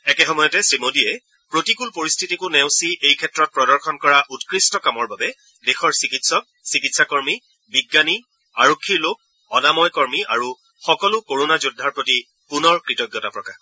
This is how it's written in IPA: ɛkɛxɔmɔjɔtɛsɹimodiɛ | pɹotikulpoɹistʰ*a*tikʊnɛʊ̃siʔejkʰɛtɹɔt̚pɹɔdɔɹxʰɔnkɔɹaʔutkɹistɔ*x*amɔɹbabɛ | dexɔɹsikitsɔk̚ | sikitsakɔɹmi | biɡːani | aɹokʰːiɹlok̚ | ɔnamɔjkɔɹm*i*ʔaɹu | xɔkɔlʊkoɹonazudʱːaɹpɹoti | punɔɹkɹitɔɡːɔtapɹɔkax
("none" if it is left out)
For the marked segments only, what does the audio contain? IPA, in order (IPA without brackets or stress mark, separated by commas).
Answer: i, k, i